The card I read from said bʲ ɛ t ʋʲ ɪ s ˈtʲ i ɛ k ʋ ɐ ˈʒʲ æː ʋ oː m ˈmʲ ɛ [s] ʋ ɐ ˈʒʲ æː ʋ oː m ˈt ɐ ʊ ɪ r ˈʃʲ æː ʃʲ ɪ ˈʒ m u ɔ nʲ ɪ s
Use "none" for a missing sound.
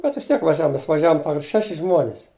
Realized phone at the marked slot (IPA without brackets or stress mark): s